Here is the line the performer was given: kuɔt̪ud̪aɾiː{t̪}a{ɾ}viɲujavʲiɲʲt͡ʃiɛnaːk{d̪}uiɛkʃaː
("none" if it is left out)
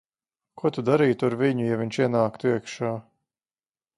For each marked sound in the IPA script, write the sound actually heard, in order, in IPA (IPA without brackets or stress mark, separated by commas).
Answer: t̪, ɾ, t̪